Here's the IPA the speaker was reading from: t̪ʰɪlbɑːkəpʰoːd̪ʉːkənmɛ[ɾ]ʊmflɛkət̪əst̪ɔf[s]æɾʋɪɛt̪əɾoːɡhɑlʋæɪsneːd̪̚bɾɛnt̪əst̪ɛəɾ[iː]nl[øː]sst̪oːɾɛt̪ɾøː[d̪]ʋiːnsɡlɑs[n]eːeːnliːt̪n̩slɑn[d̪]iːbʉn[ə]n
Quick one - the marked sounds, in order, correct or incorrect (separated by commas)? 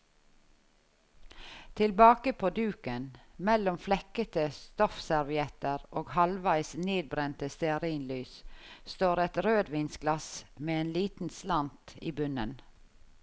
incorrect, correct, correct, incorrect, correct, incorrect, incorrect, correct